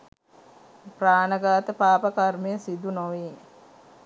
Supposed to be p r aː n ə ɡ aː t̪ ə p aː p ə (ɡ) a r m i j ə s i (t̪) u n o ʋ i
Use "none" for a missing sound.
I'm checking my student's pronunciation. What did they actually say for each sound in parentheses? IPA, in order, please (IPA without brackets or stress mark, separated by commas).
k, d̪